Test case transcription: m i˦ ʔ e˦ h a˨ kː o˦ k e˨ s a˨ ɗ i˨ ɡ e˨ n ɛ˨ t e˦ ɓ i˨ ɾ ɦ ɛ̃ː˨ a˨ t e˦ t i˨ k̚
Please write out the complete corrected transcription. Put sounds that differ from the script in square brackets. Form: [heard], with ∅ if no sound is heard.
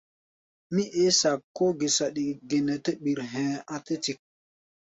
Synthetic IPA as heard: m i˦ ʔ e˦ [s] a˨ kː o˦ [ɡ] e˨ s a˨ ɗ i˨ ɡ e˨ n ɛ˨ t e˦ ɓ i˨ ɾ ɦ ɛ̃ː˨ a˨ t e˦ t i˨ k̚